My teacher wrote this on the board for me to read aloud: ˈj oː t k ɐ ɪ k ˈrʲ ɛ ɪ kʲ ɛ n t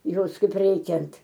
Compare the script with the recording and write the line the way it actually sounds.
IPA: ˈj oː s k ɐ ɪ p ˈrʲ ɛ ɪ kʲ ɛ n t